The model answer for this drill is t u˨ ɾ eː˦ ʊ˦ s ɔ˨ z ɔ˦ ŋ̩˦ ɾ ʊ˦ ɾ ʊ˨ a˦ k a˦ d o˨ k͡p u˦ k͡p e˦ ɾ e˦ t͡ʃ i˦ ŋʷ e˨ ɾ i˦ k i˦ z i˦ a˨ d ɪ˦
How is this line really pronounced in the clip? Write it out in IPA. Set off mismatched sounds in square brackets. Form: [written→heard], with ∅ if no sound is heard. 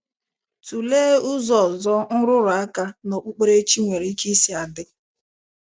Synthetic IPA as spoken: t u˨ [ɾ→l] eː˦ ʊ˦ [s→z] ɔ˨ z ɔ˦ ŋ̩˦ ɾ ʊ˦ ɾ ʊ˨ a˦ k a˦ [d→n] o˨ k͡p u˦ k͡p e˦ ɾ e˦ t͡ʃ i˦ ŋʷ e˨ ɾ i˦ k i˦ [z→s] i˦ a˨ d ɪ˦